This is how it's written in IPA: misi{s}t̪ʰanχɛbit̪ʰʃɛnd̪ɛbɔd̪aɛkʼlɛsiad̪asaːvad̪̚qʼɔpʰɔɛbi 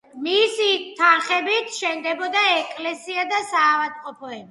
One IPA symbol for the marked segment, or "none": none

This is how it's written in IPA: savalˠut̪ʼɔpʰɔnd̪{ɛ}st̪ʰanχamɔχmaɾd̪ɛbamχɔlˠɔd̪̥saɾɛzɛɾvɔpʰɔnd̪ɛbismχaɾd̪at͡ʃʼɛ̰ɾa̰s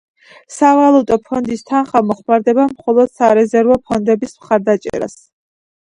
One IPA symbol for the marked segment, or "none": i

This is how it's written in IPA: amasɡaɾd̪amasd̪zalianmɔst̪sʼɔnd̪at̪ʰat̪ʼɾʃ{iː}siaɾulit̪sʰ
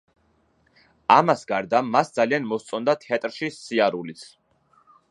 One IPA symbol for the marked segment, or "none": i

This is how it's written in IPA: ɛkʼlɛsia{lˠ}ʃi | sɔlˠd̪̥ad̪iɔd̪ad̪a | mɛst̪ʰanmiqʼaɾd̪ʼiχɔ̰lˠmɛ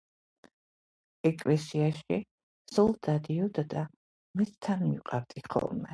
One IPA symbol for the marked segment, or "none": none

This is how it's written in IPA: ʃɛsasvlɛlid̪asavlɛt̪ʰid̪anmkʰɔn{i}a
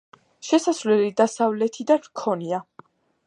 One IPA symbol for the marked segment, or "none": i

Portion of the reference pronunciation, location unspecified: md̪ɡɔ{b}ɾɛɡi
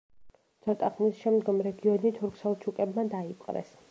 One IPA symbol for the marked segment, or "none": m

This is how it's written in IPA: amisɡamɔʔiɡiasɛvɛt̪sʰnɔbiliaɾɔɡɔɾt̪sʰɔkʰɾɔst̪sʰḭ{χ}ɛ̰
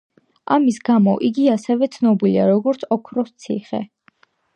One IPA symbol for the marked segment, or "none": χ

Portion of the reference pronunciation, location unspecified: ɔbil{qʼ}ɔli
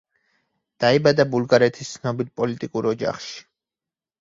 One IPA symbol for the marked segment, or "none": pʼ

